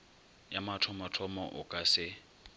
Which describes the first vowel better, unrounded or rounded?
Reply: unrounded